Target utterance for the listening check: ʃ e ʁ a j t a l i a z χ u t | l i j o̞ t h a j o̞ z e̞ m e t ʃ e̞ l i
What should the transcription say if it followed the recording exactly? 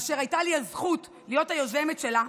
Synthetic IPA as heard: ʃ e ʁ a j t a l i a z χ u t | l i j o̞ t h a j o̞ z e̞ m e t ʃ e̞ l a